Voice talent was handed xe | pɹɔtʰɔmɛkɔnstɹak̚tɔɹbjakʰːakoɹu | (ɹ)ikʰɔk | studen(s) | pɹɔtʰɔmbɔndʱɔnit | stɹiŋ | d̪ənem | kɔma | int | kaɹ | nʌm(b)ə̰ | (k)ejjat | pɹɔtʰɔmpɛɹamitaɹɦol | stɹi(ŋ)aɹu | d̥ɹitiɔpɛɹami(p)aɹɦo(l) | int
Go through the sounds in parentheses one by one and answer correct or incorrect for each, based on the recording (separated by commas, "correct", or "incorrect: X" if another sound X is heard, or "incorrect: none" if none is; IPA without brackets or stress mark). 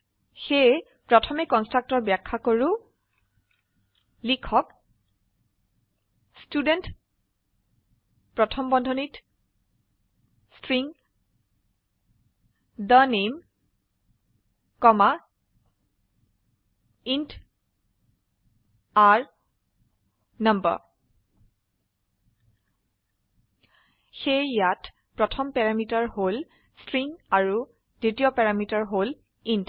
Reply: incorrect: l, incorrect: t, correct, incorrect: x, correct, incorrect: t, correct